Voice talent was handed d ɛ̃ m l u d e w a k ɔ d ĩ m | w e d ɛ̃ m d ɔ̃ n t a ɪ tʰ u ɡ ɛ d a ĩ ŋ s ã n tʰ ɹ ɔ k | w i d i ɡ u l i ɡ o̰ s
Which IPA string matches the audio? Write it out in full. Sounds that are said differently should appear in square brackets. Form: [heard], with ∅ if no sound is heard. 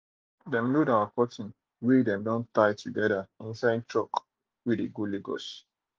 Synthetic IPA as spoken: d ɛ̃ m l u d [a] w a k ɔ [t] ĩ [n] | w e d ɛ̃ m d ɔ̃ n t a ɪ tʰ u ɡ ɛ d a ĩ [n] s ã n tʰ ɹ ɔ k | w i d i ɡ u l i ɡ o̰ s